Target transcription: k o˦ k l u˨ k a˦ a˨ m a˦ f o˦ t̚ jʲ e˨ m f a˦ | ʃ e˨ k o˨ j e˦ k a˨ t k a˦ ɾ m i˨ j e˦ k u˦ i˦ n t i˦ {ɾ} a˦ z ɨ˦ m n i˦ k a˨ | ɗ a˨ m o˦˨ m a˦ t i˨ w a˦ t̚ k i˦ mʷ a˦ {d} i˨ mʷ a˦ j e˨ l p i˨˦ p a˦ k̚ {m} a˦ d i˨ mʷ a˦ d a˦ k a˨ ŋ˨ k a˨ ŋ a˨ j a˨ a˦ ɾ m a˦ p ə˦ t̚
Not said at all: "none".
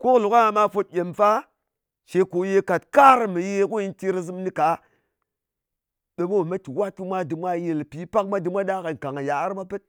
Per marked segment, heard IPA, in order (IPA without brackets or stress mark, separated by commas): ɾ, d, m